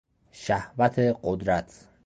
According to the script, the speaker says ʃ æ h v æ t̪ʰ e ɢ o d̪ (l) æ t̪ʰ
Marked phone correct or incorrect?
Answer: incorrect